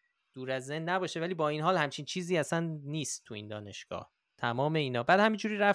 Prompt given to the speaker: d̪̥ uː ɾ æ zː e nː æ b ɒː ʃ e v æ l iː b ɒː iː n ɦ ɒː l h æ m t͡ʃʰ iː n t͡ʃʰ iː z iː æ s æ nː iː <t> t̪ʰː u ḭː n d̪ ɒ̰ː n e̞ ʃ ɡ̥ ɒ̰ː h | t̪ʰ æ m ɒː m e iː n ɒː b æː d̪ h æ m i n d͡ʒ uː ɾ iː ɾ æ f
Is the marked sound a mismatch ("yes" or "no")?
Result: yes